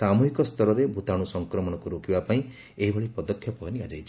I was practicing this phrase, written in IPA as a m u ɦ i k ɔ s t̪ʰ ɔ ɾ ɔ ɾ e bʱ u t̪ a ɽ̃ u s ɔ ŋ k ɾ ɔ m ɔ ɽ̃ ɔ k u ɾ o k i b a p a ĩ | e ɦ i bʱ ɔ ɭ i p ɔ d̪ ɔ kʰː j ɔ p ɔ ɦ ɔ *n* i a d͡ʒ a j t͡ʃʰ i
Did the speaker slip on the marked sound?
no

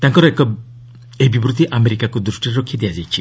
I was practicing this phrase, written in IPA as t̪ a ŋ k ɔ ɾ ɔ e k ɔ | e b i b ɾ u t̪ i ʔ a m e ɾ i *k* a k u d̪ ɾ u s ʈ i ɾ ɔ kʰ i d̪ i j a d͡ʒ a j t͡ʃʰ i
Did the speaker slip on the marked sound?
no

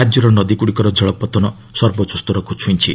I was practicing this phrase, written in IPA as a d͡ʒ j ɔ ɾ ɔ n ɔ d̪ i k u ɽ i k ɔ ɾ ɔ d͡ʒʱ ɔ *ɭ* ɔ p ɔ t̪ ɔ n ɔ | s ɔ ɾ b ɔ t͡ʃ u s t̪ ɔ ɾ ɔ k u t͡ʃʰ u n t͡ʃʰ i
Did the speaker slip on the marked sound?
no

